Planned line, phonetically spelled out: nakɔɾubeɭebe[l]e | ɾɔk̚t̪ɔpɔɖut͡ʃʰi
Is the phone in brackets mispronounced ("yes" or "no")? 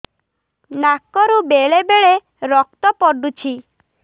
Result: yes